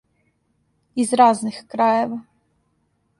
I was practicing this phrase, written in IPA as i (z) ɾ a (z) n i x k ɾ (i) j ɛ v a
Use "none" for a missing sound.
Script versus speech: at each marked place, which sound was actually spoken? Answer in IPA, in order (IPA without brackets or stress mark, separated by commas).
z, z, a